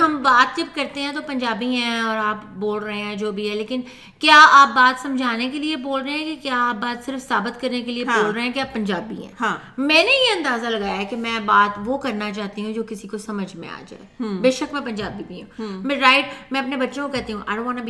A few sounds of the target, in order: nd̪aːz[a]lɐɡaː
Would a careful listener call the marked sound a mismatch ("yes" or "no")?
no